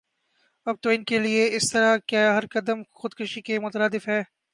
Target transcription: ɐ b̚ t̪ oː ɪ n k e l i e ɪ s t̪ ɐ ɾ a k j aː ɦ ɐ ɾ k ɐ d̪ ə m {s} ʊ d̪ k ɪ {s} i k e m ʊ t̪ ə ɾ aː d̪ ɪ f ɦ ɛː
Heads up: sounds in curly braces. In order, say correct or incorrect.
incorrect, incorrect

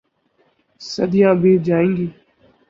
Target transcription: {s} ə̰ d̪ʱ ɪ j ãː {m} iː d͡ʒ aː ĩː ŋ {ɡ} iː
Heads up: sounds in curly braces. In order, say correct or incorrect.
correct, incorrect, correct

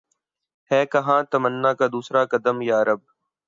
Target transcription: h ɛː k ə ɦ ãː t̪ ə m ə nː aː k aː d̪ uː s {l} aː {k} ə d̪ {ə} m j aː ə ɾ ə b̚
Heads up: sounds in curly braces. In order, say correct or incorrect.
incorrect, correct, correct

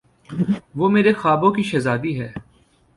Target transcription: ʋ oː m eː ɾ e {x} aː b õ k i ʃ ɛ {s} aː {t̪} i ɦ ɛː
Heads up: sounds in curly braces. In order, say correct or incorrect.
correct, incorrect, incorrect

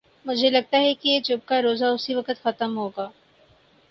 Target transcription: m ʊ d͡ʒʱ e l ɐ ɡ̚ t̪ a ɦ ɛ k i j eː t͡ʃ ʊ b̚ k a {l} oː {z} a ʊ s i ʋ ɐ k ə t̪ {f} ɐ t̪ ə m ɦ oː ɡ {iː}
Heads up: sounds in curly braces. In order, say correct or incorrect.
incorrect, correct, incorrect, incorrect

